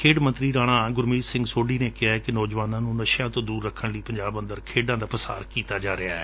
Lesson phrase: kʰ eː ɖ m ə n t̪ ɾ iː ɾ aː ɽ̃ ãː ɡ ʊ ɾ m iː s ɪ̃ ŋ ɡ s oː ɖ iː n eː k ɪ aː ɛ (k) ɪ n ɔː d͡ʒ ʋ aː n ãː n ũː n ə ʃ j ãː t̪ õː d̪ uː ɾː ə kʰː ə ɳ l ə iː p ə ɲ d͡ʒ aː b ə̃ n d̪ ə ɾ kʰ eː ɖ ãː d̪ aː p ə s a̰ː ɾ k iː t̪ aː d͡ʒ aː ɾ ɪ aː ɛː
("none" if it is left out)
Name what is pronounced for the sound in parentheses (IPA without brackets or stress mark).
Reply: k